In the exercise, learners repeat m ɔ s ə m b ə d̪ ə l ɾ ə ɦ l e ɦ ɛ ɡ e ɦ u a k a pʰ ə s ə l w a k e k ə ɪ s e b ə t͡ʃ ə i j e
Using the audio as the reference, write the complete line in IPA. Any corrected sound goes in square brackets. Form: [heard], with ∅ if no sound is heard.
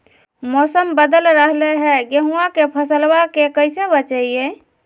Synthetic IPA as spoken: m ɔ s ə m b ə d̪ ə l ɾ ə ɦ l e ɦ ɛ ɡ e ɦ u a k [e] pʰ ə s ə l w a k e k ə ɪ s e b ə t͡ʃ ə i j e